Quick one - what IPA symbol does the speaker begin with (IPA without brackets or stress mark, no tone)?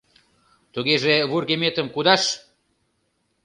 t̪